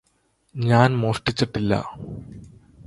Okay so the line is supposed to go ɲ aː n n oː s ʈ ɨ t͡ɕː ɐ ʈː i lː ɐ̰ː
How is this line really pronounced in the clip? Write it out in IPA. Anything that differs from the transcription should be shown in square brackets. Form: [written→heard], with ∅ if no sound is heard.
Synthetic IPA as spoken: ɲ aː n [n→m] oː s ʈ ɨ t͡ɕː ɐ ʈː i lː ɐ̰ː